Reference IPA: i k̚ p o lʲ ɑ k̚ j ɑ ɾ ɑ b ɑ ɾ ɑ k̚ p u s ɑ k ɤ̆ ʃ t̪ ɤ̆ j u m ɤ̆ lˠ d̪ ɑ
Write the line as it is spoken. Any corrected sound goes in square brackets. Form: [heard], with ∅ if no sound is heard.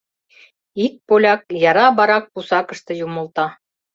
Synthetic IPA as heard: i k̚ p o lʲ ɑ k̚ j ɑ ɾ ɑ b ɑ ɾ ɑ k̚ p u s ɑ k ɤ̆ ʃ t̪ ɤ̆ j u m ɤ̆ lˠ [t̪] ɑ